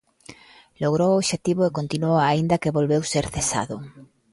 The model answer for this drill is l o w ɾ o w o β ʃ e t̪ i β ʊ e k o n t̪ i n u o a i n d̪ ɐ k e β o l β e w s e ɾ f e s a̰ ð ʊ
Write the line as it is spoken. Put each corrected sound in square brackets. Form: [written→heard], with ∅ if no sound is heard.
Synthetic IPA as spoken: l o [w→ɣ] ɾ o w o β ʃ e t̪ i β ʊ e k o n t̪ i n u o a i n d̪ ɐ k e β o l β e w s e ɾ [f→θ] e s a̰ ð ʊ